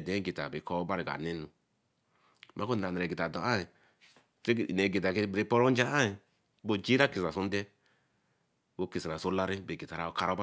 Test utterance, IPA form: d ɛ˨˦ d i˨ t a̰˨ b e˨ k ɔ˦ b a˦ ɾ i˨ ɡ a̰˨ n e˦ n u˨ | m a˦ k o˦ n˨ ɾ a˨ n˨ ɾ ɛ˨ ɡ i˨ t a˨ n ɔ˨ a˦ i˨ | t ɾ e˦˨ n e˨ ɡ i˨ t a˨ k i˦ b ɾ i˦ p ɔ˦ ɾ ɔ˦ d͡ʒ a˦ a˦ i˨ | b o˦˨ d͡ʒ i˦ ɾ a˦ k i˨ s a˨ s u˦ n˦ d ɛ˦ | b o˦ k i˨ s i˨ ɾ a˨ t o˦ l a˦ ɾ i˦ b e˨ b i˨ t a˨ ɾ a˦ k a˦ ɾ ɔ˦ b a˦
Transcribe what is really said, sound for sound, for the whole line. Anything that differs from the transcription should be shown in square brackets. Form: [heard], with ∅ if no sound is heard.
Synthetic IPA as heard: d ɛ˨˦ [ɡ] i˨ t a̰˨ b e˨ k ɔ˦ b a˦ ɾ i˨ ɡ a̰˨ n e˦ n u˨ | m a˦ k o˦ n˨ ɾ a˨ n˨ ɾ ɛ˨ ɡ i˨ t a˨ [d] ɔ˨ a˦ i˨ | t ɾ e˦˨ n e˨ ɡ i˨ t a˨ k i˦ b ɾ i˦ p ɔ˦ ɾ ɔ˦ d͡ʒ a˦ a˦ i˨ | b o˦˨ d͡ʒ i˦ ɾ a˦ k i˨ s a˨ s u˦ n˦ d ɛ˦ | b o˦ k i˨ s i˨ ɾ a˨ [s] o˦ l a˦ ɾ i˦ b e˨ [ɡ] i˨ t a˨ ɾ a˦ k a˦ ɾ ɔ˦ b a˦